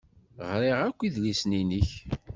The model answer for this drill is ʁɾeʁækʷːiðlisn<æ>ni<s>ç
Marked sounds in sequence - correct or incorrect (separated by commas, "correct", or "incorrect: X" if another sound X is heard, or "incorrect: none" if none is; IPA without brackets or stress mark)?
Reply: incorrect: i, incorrect: none